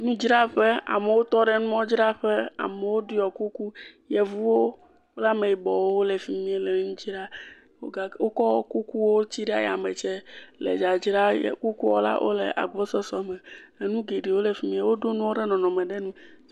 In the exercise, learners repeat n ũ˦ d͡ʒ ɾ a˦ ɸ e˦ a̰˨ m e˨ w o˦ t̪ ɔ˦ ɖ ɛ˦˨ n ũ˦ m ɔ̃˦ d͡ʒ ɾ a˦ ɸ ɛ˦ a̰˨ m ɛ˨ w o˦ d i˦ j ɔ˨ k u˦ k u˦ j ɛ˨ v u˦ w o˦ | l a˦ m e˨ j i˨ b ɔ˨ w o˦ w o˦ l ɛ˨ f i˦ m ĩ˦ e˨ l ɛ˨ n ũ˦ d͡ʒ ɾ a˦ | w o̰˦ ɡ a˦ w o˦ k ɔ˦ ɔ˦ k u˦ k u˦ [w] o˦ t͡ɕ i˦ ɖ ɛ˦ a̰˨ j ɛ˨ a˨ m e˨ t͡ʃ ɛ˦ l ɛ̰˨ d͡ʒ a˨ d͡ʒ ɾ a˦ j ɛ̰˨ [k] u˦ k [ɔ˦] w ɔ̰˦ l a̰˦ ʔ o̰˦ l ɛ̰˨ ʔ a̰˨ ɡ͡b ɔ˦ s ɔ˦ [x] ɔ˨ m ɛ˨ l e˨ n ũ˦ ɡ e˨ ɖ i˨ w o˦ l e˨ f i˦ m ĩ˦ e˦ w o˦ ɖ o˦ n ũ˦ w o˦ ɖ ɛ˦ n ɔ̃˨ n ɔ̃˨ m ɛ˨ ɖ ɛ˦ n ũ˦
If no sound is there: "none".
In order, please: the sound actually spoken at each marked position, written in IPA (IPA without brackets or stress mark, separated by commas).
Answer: w, k, u˦, s